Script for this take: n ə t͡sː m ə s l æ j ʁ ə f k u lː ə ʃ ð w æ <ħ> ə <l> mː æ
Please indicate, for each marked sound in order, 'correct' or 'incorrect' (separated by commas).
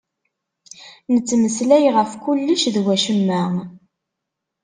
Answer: incorrect, incorrect